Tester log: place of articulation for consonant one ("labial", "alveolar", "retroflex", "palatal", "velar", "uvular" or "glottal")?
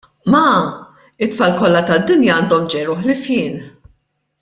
labial